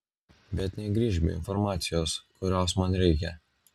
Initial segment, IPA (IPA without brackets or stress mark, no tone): bʲ